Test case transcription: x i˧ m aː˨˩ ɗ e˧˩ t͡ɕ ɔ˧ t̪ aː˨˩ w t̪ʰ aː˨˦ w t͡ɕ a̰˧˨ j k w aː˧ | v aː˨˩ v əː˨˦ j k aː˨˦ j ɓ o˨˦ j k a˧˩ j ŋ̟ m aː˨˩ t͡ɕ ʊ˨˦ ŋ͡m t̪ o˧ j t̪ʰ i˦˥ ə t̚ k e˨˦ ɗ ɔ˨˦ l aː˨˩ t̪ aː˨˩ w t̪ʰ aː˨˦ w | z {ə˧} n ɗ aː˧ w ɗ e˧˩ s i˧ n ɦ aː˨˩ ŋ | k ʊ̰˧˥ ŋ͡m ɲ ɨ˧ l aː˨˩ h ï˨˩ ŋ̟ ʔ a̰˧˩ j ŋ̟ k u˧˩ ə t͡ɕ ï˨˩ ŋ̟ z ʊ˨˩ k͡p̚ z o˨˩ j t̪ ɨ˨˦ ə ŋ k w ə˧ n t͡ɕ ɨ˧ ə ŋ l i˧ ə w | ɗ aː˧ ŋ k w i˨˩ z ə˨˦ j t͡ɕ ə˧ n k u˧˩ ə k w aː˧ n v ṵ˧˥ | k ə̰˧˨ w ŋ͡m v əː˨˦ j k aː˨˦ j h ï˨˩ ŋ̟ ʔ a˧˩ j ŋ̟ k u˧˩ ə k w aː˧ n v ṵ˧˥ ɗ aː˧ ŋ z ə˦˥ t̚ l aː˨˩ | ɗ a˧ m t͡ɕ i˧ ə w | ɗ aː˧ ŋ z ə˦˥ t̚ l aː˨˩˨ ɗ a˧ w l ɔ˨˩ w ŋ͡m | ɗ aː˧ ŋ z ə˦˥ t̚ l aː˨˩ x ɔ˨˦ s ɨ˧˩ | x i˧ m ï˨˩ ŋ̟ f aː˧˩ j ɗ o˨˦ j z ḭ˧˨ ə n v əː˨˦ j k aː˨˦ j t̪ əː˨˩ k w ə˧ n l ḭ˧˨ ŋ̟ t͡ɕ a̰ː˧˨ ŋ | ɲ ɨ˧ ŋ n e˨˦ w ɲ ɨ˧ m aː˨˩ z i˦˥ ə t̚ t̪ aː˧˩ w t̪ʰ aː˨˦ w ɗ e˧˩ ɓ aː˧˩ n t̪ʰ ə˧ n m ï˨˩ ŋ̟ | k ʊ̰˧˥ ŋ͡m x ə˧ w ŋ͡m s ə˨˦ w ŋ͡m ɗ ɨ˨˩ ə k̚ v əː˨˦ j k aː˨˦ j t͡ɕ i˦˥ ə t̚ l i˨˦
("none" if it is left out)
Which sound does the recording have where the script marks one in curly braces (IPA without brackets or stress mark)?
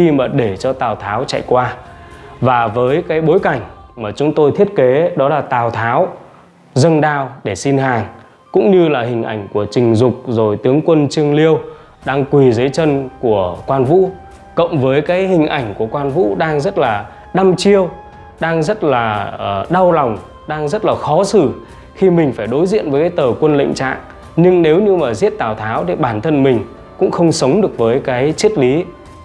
ə˧